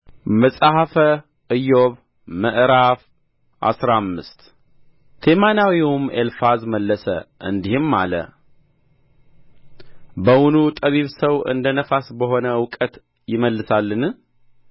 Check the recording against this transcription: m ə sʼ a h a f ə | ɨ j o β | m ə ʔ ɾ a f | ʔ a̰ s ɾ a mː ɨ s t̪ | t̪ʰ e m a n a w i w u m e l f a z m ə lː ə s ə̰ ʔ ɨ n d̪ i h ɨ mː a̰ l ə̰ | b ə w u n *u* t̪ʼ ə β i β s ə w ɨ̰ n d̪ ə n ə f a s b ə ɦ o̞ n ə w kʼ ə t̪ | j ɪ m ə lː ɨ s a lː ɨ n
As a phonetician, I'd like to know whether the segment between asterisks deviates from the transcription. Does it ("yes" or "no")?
no